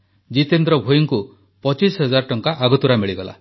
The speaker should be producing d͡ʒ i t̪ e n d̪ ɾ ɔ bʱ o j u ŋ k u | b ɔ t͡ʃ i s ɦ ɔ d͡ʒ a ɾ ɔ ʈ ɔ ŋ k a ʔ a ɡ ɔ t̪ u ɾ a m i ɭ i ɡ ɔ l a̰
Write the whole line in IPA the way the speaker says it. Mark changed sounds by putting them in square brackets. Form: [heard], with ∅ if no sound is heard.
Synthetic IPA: d͡ʒ i t̪ e n d̪ ɾ ɔ bʱ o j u ŋ k u | [p] ɔ t͡ʃ i s ɦ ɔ d͡ʒ a ɾ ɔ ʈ ɔ ŋ k a ʔ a ɡ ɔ t̪ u ɾ a m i ɭ i ɡ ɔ l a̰